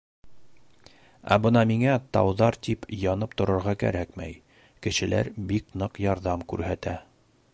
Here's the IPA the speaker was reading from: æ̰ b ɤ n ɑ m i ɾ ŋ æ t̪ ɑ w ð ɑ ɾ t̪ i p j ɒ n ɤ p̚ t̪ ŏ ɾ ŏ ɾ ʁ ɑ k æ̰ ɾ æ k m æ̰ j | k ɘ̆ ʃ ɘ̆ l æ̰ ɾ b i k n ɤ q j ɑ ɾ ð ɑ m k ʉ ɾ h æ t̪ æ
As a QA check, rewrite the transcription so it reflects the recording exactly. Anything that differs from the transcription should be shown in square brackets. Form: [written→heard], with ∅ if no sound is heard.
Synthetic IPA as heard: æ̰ b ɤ n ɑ m i [ɾ→∅] ŋ æ t̪ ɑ w ð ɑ ɾ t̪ i p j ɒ n ɤ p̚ t̪ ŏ ɾ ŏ ɾ ʁ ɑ k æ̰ ɾ æ k m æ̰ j | k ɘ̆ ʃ ɘ̆ l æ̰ ɾ b i k n ɤ q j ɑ ɾ ð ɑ m k ʉ ɾ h æ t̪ æ

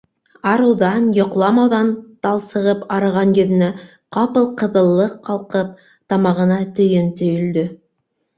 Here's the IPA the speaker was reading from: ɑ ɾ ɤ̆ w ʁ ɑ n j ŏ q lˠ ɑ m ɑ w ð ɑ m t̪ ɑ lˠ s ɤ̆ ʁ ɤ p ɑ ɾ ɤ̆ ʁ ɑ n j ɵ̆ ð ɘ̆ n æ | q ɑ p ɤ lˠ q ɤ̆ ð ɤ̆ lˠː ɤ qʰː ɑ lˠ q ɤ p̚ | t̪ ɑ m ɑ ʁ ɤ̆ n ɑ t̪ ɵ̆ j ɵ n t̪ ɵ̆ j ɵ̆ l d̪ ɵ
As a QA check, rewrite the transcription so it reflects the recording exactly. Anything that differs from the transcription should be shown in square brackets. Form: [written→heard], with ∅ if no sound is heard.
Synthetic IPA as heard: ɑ ɾ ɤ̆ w [ʁ→ð] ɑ n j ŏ q lˠ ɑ m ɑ w ð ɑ [m→n] t̪ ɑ lˠ s ɤ̆ ʁ ɤ p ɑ ɾ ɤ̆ ʁ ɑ n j ɵ̆ ð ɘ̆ n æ | q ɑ p ɤ lˠ q ɤ̆ ð ɤ̆ lˠː ɤ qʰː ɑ lˠ q ɤ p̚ | t̪ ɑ m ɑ ʁ ɤ̆ n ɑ t̪ ɵ̆ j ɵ n t̪ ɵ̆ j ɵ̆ l d̪ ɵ

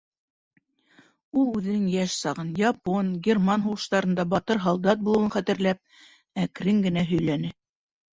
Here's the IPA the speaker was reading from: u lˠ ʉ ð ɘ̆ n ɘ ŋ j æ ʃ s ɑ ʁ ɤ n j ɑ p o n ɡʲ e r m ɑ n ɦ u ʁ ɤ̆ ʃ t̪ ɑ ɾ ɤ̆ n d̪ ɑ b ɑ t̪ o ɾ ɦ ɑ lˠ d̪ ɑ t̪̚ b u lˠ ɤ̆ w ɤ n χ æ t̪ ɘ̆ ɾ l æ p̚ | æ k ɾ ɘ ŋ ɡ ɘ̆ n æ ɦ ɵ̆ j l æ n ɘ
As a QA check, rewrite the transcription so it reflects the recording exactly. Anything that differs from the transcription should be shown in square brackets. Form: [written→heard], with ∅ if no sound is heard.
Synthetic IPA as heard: u lˠ ʉ ð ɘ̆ n ɘ ŋ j æ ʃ s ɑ ʁ ɤ n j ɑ p o n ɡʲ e r m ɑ n ɦ u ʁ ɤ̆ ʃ t̪ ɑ ɾ ɤ̆ n d̪ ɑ b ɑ t̪ [o→ɤ] ɾ ɦ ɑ lˠ d̪ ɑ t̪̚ b u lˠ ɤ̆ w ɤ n χ æ t̪ ɘ̆ ɾ l æ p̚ | æ k ɾ ɘ ŋ ɡ ɘ̆ n æ ɦ ɵ̆ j l æ n ɘ

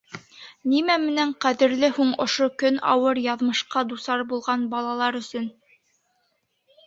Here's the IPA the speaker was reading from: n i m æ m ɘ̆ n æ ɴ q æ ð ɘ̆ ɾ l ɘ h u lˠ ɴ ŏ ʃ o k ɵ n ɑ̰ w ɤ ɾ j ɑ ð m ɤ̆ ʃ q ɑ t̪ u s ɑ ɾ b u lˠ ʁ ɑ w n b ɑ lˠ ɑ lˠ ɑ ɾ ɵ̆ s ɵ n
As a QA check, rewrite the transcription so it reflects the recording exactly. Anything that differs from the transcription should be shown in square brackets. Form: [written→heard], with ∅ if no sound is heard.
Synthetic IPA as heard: n i m æ m ɘ̆ n æ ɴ q æ ð ɘ̆ ɾ l ɘ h u [lˠ→∅] ɴ ŏ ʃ o k ɵ n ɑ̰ w ɤ ɾ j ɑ ð m ɤ̆ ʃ q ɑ [t̪→d̪] u s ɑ ɾ b u lˠ ʁ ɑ [w→∅] n b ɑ lˠ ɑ lˠ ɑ ɾ ɵ̆ s ɵ n

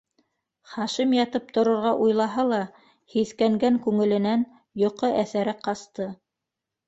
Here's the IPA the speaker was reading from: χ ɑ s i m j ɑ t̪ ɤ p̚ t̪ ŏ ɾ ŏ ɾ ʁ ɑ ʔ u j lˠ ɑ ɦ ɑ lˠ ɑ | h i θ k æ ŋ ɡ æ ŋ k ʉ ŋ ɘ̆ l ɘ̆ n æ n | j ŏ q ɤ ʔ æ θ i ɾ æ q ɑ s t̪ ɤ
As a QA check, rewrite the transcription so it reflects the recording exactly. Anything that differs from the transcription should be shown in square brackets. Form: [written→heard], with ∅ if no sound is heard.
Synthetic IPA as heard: χ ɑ [s→ʃ] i m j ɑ t̪ ɤ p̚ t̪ ŏ ɾ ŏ ɾ ʁ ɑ ʔ u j lˠ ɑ ɦ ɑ lˠ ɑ | h i θ k æ ŋ ɡ æ ŋ k ʉ ŋ ɘ̆ l ɘ̆ n æ n | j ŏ q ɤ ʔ æ θ [i→æ] ɾ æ q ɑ s t̪ ɤ

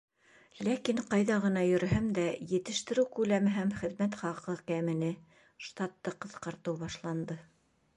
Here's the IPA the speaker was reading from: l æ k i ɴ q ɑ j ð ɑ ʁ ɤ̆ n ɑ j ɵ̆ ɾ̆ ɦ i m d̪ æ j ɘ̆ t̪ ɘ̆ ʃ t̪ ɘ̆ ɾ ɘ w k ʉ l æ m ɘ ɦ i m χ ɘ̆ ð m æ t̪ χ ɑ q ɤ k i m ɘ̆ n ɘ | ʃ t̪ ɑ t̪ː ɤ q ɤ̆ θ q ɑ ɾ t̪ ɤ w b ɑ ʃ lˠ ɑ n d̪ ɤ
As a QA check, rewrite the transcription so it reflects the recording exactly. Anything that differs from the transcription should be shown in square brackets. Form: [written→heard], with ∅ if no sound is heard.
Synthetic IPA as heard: l æ k i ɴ q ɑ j ð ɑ ʁ ɤ̆ n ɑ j ɵ̆ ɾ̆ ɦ [i→æ] m d̪ æ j ɘ̆ t̪ ɘ̆ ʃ t̪ ɘ̆ ɾ ɘ w k ʉ l æ m ɘ ɦ [i→æ] m χ ɘ̆ ð m æ t̪ χ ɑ q ɤ k [i→æ] m ɘ̆ n ɘ | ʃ t̪ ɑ t̪ː ɤ q ɤ̆ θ q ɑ ɾ t̪ ɤ w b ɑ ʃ lˠ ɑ n d̪ ɤ

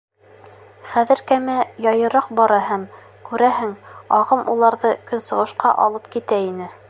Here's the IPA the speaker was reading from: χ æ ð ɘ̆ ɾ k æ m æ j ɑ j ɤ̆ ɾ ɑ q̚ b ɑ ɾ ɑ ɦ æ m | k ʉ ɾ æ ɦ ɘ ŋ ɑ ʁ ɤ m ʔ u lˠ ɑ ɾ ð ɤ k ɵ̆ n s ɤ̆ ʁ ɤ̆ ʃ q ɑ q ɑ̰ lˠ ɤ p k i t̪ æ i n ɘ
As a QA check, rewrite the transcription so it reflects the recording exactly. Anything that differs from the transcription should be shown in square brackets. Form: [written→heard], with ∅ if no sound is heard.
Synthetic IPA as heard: χ æ ð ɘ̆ ɾ k æ m æ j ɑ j ɤ̆ ɾ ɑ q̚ b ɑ ɾ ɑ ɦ æ m | k ʉ ɾ æ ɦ ɘ ŋ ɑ ʁ ɤ m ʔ u lˠ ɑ ɾ ð ɤ k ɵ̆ n s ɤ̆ ʁ ɤ̆ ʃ q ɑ [q→ʔ] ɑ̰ lˠ ɤ p k i t̪ æ i n ɘ

